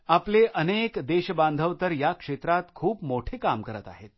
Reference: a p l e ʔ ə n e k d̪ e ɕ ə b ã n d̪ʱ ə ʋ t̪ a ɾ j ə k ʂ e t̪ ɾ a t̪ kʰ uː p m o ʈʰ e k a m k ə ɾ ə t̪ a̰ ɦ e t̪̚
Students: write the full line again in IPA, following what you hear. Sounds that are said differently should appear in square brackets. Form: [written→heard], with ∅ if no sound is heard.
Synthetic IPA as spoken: a p l e ʔ ə n e k d̪ e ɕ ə b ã n d̪ʱ ə ʋ t̪ [a→ə] ɾ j [ə→a] k ʂ e t̪ ɾ a t̪ kʰ uː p m o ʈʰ e k a m k ə ɾ ə t̪ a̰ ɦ e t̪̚

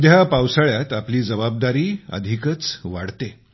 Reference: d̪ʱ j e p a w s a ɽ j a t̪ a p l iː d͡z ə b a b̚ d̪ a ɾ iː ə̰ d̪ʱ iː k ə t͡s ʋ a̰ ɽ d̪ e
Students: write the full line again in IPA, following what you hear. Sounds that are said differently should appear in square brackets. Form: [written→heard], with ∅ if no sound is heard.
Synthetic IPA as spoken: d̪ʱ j [e→a] p a w s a [ɽ→ɭ] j a t̪ a p l iː d͡z ə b a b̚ d̪ a ɾ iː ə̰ d̪ʱ [iː→i] k ə t͡s ʋ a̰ ɽ [d̪→t̪] e

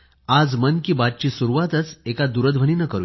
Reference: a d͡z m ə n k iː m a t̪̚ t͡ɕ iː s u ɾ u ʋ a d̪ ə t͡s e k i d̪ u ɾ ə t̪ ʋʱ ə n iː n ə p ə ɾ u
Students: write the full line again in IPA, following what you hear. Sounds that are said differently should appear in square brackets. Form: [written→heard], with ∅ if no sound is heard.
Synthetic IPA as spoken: a d͡z m ə n k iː [m→b] a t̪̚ t͡ɕ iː s u ɾ u ʋ a [d̪→t̪] ə t͡s e k [i→a] d̪ u ɾ ə [t̪→d̪] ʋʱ ə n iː n ə [p→k] ə ɾ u

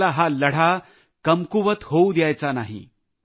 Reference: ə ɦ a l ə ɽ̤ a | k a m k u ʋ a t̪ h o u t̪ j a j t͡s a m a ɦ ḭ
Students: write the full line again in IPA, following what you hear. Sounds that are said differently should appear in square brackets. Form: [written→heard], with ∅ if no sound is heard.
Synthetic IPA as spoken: [ə→a] ɦ a l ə ɽ̤ a | k [a→ə] m k u ʋ [a→ə] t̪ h o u [t̪→d̪] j a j t͡s a [m→n] a ɦ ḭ

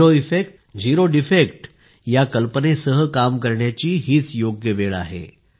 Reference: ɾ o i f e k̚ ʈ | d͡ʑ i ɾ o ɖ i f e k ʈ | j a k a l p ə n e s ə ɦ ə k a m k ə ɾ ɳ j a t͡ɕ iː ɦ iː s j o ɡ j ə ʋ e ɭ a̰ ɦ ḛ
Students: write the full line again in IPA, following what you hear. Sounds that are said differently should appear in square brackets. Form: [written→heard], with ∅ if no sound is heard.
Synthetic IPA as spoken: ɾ o i f e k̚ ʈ | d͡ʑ i ɾ o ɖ i f e k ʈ | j a k [a→ə] l p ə n e s ə ɦ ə k a m k ə ɾ ɳ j a t͡ɕ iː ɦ iː [s→t͡s] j o ɡ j ə ʋ e ɭ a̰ ɦ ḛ

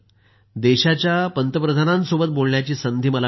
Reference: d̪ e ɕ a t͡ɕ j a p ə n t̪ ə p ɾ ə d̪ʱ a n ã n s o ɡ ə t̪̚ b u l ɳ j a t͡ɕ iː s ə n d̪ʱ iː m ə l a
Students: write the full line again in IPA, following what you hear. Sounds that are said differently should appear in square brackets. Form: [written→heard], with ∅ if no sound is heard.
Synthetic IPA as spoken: d̪ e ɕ a t͡ɕ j a p ə n t̪ ə p ɾ ə d̪ʱ a n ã n s o [ɡ→b] ə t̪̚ b [u→o] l ɳ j a t͡ɕ iː s ə n d̪ʱ iː m ə l a

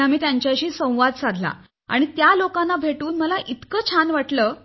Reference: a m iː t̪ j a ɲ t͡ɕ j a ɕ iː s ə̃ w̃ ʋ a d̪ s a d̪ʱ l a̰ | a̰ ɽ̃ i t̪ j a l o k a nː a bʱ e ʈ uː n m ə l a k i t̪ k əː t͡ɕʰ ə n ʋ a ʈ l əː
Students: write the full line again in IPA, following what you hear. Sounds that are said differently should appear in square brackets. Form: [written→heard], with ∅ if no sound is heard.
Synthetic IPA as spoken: a m iː t̪ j a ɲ t͡ɕ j a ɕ iː s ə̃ w̃ ʋ a d̪ s a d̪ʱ l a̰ | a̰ ɽ̃ i t̪ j a l o k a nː a bʱ e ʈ uː n m ə l a [k→ʔ] i t̪ k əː t͡ɕʰ [ə→a] n ʋ a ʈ l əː

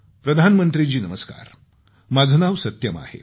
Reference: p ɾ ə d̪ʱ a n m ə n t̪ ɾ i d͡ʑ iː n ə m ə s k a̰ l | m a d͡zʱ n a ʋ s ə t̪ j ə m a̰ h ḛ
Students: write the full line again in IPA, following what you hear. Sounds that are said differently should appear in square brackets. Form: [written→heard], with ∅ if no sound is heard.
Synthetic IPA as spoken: p ɾ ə d̪ʱ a n m ə n t̪ ɾ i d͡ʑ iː n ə m ə s k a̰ [l→ɾ] | m a d͡zʱ n a ʋ s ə t̪ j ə m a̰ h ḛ

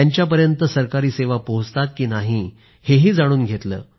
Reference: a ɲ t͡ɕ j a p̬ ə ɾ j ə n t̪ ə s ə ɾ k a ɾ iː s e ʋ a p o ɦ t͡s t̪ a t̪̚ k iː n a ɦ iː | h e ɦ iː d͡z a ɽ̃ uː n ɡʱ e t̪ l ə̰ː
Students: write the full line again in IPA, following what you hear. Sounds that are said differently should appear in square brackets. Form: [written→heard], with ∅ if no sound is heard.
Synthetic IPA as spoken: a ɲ t͡ɕ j a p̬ ə ɾ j ə n t̪ ə s ə ɾ k a ɾ iː s e ʋ a p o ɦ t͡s t̪ a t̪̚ k iː n a ɦ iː | h e ɦ iː d͡z a ɽ̃ uː n ɡʱ e t̪ l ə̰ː

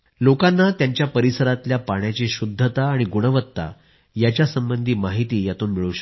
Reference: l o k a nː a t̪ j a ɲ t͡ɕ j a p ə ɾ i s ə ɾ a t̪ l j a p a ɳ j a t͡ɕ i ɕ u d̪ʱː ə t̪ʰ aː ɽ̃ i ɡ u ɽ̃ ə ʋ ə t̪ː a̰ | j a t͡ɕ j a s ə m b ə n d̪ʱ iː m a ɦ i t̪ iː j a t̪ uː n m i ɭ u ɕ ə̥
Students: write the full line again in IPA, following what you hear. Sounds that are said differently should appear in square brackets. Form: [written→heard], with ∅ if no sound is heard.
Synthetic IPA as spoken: l o k a nː a t̪ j a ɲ t͡ɕ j a p ə ɾ i s ə ɾ a t̪ l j a p a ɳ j a t͡ɕ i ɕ u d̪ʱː ə [t̪ʰ→t̪] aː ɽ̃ i ɡ u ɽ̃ ə ʋ ə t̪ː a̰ | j a t͡ɕ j a s ə m b ə n d̪ʱ iː m a ɦ i t̪ iː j a t̪ uː n m i ɭ u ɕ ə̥

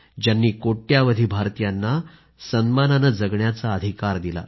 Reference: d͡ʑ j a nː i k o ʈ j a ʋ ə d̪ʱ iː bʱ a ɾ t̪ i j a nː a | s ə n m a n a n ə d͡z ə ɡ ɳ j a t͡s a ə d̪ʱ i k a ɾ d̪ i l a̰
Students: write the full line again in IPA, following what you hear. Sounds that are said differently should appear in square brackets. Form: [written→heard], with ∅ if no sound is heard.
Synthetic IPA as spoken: d͡ʑ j a nː [i→iː] k o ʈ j a ʋ ə d̪ʱ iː bʱ a ɾ t̪ i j a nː a | s ə n m a n a n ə d͡z ə ɡ ɳ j a t͡s a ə d̪ʱ i k a ɾ d̪ i l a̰

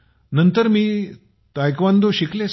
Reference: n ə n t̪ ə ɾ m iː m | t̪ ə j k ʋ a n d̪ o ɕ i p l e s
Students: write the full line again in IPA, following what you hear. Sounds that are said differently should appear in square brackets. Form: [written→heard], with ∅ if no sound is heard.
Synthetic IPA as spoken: n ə n t̪ ə ɾ m iː [m→∅] | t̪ [ə→a] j k ʋ a n d̪ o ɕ i [p→k] l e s

